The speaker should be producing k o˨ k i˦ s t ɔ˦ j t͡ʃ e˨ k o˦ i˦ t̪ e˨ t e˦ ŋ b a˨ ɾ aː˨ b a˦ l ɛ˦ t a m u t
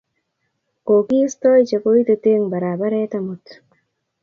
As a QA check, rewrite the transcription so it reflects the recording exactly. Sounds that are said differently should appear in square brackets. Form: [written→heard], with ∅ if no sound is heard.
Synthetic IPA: k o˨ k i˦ s t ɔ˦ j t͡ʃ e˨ k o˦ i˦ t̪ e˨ t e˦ ŋ b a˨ ɾ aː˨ b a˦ [l→ɾ] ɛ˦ t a m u t